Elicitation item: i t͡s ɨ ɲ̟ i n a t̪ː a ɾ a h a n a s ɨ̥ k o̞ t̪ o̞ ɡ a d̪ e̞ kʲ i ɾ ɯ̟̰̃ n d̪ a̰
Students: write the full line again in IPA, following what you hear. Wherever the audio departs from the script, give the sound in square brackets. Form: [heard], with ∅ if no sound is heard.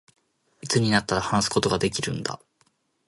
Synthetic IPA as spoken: i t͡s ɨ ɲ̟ i n a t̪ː a ɾ a h a n a s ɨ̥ k o̞ t̪ o̞ ɡ a d̪ e̞ kʲ i ɾ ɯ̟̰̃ n d̪ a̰

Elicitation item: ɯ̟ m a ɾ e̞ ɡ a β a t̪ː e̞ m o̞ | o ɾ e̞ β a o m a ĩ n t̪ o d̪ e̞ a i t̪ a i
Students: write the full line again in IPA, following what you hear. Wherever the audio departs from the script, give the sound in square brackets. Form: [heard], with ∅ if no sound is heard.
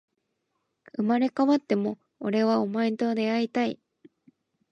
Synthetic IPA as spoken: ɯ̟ m a ɾ e̞ [k] a β a t̪ː e̞ m o̞ | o ɾ e̞ β a o m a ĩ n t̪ o d̪ e̞ a i t̪ a i

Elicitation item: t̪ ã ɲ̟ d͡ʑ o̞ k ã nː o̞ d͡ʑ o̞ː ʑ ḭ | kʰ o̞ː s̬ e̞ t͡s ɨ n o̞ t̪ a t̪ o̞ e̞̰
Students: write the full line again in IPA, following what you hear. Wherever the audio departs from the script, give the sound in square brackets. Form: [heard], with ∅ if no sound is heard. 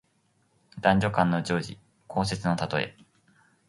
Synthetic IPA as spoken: [d̪] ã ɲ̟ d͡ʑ o̞ k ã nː o̞ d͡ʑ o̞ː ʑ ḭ | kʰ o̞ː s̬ e̞ t͡s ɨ n o̞ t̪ a t̪ o̞ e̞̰

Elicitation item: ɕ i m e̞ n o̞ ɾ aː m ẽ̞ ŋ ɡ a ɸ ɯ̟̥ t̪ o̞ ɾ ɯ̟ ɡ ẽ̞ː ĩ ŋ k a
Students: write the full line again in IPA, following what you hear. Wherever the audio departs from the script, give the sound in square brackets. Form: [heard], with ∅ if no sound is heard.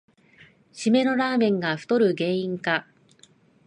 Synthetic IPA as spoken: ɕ i m e̞ n o̞ ɾ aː m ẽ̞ ŋ ɡ a ɸ ɯ̟̥ t̪ o̞ ɾ ɯ̟ ɡ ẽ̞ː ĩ ŋ k a

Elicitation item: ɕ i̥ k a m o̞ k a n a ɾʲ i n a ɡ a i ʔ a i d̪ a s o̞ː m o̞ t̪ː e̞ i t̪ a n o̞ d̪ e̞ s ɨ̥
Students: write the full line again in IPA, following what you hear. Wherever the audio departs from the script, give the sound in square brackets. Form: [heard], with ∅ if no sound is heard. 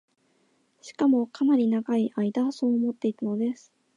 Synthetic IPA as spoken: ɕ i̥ k a m o̞ k a n a ɾʲ i n a ɡ a i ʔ a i d̪ a s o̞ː m o̞ t̪ː e̞ i t̪ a n o̞ d̪ e̞ s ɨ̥

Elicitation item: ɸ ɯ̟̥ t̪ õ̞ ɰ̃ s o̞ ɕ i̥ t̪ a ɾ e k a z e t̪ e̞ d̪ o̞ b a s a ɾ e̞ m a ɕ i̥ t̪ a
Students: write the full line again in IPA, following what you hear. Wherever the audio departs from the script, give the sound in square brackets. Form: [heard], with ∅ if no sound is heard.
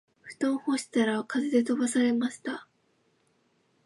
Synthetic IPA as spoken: ɸ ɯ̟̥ t̪ õ̞ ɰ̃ [h] o̞ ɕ i̥ t̪ a ɾ [a] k a z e [d̪] e̞ [t̪] o̞ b a s a ɾ e̞ m a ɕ i̥ t̪ a

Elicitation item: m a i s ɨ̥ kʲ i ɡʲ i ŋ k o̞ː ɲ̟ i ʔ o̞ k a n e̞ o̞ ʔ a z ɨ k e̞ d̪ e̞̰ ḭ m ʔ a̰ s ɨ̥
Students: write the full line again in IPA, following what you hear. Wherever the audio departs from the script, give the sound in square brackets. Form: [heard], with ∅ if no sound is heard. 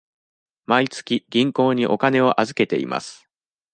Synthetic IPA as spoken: m a i [t͡s] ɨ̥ kʲ i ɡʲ [ĩ] ŋ k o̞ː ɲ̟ i ʔ o̞ k a n e̞ o̞ ʔ a z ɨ k e̞ [t̪] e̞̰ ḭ m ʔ a̰ s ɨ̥

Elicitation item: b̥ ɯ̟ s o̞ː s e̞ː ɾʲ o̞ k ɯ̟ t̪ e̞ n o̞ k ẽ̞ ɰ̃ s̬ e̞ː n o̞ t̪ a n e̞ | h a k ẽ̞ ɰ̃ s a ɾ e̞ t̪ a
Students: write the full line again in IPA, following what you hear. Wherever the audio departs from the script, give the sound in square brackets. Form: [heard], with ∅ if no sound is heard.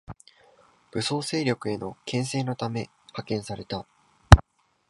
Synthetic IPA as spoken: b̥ ɯ̟ s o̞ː s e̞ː ɾʲ o̞ k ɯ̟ [∅] e̞ n o̞ k ẽ̞ ɰ̃ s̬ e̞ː n o̞ t̪ a [m] e̞ | h a k ẽ̞ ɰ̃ s a ɾ e̞ t̪ a

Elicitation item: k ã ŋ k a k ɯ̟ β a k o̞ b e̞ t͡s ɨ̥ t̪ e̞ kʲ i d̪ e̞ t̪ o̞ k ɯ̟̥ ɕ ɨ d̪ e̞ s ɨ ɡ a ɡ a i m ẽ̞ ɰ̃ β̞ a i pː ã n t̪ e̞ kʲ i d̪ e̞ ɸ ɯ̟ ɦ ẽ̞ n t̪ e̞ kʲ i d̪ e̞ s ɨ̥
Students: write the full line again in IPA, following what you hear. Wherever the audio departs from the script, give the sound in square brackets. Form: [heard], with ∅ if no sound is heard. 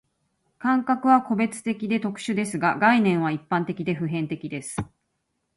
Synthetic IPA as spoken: k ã ŋ k a k ɯ̟ β a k o̞ b e̞ t͡s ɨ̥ t̪ e̞ kʲ i d̪ e̞ t̪ o̞ k ɯ̟̥ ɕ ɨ d̪ e̞ s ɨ ɡ a ɡ a i [n] ẽ̞ ɰ̃ β̞ a i pː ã n t̪ e̞ kʲ i d̪ e̞ ɸ ɯ̟ ɦ ẽ̞ n t̪ e̞ kʲ i d̪ e̞ s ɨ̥

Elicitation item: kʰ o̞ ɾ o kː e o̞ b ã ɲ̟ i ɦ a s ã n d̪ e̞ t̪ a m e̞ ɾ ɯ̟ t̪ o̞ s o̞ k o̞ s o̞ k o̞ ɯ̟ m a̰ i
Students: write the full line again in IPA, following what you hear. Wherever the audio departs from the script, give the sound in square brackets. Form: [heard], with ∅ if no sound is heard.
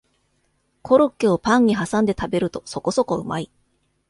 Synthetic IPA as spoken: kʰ o̞ ɾ o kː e o̞ [p] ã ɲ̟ i ɦ a s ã n d̪ e̞ t̪ a [b] e̞ ɾ ɯ̟ t̪ o̞ s o̞ k o̞ s o̞ k o̞ ɯ̟ m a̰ i

